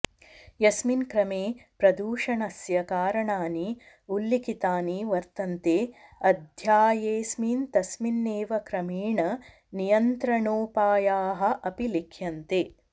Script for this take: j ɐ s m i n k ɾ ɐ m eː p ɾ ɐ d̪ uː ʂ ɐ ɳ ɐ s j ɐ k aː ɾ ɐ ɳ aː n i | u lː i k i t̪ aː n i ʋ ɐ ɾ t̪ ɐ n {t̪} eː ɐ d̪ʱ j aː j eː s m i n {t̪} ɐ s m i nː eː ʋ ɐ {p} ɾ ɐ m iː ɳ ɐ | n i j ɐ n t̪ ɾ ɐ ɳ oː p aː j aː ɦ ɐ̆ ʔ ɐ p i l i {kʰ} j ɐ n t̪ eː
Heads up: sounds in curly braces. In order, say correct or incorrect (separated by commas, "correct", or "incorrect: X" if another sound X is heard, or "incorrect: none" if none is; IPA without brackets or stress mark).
correct, correct, incorrect: k, correct